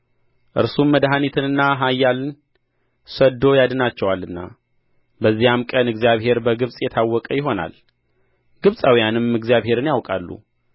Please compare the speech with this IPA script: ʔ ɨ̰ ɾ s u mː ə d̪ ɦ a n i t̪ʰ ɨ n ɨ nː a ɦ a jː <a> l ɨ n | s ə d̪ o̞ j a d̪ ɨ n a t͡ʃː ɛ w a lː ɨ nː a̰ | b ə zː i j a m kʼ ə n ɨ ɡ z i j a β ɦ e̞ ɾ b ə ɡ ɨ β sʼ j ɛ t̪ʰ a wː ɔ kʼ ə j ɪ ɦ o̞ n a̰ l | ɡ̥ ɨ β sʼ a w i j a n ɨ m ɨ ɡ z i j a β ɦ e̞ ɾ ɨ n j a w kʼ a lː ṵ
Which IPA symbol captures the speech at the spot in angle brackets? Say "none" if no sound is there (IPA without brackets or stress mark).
a